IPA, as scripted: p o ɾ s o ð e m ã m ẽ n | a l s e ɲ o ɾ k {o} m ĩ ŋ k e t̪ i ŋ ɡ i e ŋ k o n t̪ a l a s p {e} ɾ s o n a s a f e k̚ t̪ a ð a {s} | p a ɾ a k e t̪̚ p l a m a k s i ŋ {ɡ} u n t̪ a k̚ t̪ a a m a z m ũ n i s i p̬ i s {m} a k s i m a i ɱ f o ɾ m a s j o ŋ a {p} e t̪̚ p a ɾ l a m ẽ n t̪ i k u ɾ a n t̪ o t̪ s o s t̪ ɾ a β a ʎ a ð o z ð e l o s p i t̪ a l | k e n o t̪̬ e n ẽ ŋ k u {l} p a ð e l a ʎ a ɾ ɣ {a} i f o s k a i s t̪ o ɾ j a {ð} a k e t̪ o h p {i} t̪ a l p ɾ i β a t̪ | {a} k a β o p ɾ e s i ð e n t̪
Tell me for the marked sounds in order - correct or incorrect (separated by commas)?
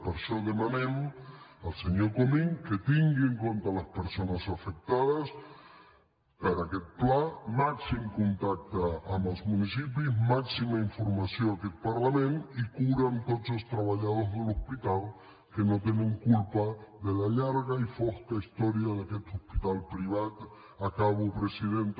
correct, correct, correct, incorrect, correct, incorrect, correct, correct, correct, correct, correct